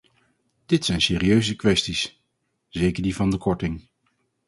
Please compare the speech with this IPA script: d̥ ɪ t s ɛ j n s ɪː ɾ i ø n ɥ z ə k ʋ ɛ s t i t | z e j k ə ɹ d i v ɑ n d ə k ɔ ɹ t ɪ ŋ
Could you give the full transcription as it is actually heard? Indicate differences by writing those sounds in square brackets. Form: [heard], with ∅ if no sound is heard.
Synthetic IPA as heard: d̥ ɪ t s ɛ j n s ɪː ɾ i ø [∅] ɥ z ə k ʋ ɛ s t i [s] | z e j k ə ɹ d i v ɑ n d ə k ɔ ɹ t ɪ ŋ